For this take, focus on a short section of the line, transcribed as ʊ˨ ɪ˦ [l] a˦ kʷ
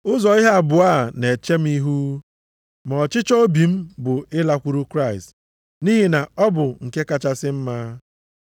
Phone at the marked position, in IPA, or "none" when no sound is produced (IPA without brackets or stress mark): l